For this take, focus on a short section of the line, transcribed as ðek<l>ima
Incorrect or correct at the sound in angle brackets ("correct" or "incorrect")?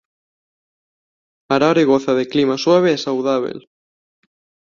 correct